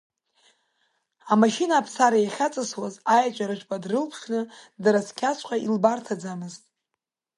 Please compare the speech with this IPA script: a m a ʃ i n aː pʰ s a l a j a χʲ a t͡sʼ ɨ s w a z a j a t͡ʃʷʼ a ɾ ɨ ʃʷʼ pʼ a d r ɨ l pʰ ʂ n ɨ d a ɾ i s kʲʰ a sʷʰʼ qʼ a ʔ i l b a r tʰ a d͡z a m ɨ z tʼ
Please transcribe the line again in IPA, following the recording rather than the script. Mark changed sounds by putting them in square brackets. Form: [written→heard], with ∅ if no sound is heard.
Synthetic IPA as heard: a m a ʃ i n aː pʰ s a [l→ɾ] a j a χʲ a t͡sʼ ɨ s w a z a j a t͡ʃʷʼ a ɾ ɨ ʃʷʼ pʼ a d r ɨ l pʰ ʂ n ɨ d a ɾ [i→a] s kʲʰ a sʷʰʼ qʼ a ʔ i l b a r tʰ a d͡z a m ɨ z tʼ